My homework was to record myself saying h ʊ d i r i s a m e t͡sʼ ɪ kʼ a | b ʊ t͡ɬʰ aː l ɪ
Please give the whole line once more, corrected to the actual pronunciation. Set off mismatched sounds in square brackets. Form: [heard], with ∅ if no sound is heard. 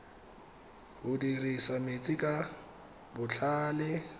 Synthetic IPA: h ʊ d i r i s a m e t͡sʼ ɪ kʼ a | b ʊ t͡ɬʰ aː l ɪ